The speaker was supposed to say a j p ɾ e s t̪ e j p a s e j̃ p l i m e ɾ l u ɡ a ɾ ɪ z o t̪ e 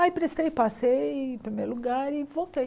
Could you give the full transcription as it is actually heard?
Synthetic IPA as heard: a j p ɾ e s t̪ e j p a s e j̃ p ɾ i m e ɾ l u ɡ a ɾ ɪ v o t̪ e